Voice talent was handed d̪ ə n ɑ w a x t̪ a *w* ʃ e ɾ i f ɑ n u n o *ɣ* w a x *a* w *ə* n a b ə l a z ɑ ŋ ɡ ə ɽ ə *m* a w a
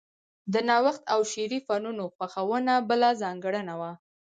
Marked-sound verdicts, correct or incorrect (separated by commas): correct, incorrect, correct, correct, incorrect